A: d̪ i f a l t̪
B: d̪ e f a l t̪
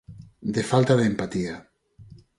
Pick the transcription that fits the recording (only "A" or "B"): B